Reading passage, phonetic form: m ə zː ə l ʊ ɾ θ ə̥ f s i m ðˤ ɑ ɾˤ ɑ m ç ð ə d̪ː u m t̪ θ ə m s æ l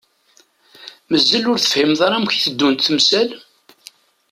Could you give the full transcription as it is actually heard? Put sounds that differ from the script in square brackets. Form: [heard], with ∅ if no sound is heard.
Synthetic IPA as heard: m ə zː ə l ʊ ɾ θ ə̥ f [h] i m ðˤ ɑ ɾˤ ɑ m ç [θ] ə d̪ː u [n] t̪ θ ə m s æ l